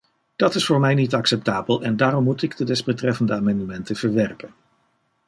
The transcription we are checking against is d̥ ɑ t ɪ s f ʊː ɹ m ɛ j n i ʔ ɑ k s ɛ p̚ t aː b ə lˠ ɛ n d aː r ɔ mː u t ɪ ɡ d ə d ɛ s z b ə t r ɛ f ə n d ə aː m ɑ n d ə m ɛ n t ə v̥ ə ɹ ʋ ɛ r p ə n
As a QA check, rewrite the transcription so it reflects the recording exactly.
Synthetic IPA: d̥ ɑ t ɪ s f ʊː ɹ m ɛ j n i t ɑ k s ɛ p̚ t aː b ə lˠ ɛ n d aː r ɔ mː u t ɪ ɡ d ə d ɛ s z b ə t r ɛ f ə n d ə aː m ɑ n d ə m ɛ n t ə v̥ ə ɹ ʋ ɛ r p ə n